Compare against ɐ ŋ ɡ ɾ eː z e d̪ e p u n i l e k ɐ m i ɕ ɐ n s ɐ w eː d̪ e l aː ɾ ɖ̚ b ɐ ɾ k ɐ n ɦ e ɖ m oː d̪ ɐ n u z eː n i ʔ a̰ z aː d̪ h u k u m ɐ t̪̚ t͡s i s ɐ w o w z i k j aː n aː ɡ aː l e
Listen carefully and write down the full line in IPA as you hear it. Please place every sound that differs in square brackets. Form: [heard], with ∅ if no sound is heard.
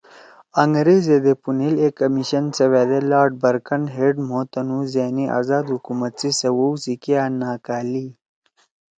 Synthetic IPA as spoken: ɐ ŋ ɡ ɾ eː z e d̪ e p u n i l e k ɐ m i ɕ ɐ n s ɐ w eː d̪ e l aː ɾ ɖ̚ b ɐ ɾ k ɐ n ɦ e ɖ m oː [t̪] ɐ n u z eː n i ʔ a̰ z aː d̪ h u k u m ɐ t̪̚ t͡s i s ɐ w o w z i k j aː n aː [k] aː l [i]